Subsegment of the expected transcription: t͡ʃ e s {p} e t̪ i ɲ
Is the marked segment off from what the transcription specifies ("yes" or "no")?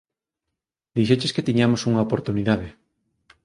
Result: yes